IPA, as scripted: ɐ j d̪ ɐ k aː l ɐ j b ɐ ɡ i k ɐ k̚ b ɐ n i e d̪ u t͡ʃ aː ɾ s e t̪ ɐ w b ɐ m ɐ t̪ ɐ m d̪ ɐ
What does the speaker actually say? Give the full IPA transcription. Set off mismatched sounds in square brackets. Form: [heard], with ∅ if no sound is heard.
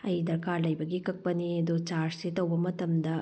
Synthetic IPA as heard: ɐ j d̪ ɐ k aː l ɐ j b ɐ ɡ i k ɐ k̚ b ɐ n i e d̪ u t͡ʃ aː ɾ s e t̪ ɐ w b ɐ m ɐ t̪ ɐ m d̪ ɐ